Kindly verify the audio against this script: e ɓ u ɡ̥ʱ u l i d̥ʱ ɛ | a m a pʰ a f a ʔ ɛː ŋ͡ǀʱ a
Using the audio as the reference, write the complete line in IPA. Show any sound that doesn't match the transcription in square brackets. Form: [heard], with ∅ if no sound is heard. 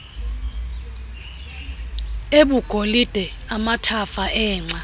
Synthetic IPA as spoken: e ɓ u ɡ̥ʱ [o] l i d̥ʱ ɛ | a m a [tʰ] a f a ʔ ɛː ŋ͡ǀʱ a